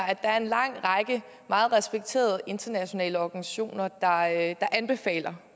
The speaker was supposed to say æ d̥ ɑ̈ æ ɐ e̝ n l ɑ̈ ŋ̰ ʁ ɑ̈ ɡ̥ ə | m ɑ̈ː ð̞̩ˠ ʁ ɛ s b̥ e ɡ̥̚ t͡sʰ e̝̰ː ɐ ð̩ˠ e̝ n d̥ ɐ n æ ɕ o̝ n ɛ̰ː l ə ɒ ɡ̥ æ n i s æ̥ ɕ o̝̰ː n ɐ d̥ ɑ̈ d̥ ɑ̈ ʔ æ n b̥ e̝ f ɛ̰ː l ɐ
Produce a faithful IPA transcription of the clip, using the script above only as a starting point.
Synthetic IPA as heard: æ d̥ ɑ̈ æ ɐ e̝ n l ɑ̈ ŋ̰ ʁ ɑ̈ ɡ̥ ə | m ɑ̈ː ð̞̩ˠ ʁ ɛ s b̥ e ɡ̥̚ t͡sʰ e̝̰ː ɐ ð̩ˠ e̝ n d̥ ɐ n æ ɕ o̝ n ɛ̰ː l ə ɒ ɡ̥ æ n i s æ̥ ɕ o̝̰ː n ɐ d̥ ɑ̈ d̥ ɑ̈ ʔ æ n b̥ e̝ f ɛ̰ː l ɐ